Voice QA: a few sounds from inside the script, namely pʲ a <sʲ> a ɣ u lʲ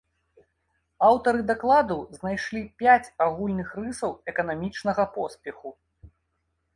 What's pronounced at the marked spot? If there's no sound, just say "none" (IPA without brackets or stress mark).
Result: t͡sʲ